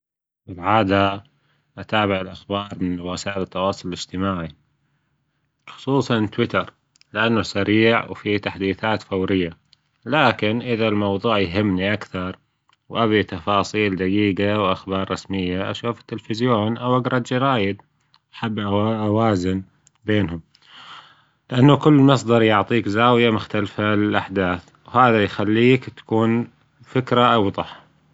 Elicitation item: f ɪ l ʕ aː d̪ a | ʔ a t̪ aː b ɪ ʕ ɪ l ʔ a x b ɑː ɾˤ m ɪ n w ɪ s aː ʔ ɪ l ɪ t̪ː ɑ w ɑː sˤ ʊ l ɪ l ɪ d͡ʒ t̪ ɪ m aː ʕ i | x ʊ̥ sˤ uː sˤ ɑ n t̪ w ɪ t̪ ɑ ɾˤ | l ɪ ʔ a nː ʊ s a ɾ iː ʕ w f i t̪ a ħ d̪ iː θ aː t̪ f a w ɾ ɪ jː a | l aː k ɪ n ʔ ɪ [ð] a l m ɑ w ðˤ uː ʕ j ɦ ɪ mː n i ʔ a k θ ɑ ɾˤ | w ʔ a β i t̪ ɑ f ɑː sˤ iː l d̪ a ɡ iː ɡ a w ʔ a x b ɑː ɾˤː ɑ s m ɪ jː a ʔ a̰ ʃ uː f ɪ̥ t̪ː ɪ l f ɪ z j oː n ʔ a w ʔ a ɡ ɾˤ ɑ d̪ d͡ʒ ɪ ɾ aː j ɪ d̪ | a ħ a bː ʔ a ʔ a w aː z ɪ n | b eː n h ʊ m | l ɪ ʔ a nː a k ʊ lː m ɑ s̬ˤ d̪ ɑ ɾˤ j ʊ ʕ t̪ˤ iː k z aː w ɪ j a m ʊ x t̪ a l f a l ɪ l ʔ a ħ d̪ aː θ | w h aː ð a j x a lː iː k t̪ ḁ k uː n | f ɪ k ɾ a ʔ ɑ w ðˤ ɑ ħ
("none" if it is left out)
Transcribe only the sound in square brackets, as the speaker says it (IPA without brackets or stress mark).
ð